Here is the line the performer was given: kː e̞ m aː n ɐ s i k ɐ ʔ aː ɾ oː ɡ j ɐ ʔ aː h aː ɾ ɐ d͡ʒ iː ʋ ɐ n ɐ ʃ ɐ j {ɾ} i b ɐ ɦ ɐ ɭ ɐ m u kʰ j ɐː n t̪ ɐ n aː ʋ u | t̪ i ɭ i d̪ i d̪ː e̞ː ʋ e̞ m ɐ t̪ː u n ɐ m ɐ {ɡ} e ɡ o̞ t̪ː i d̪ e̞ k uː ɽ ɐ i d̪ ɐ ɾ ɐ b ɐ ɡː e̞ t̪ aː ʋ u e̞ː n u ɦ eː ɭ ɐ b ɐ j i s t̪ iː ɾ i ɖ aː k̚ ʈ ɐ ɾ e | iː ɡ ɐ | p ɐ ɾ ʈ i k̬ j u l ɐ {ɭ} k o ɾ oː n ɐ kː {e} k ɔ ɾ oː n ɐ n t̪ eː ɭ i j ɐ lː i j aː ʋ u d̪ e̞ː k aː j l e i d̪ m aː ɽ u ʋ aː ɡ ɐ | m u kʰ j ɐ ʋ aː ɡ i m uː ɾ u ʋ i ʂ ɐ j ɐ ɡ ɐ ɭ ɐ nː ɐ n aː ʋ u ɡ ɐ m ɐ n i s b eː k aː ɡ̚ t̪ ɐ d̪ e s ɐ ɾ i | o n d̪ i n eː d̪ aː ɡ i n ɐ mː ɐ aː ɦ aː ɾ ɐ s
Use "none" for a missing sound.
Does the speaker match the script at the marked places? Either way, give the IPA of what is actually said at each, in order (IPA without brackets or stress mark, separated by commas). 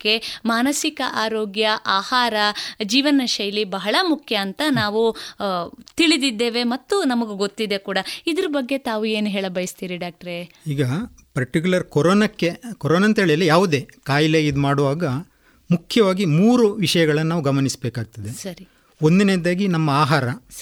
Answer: l, ɡ, ɾ, e